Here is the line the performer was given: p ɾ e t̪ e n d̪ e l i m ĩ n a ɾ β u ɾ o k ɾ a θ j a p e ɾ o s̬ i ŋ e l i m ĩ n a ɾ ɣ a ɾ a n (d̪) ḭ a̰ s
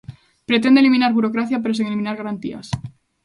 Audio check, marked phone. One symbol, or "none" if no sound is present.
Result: t̪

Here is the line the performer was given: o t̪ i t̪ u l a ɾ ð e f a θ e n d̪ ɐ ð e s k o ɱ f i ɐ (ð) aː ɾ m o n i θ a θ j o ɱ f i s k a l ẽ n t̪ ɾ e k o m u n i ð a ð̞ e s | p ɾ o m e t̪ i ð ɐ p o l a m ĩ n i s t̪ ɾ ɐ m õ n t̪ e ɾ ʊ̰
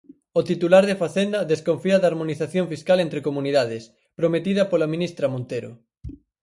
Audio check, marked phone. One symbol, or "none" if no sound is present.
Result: ð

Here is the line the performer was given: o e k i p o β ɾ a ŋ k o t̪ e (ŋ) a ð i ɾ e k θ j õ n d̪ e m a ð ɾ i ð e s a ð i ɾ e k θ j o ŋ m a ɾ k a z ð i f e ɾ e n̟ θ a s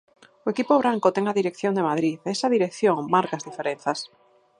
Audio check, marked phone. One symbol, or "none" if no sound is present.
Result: ŋ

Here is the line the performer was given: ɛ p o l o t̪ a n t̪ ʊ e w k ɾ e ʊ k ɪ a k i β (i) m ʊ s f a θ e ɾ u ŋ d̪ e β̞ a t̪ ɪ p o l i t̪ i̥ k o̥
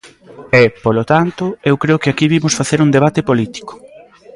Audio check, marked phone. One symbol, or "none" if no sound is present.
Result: i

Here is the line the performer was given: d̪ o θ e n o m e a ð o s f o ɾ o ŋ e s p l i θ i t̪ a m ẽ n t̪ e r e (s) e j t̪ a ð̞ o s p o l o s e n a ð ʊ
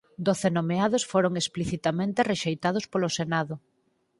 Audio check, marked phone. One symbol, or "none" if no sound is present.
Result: ʃ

